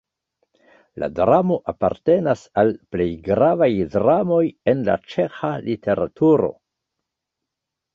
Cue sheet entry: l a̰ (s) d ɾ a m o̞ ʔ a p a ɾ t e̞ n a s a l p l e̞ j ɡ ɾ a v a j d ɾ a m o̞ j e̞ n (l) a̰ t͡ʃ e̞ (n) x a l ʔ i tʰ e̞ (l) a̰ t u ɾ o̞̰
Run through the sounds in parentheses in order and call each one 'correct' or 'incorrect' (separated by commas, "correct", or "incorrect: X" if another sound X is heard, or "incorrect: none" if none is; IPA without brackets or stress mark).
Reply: incorrect: none, correct, incorrect: none, incorrect: ɾ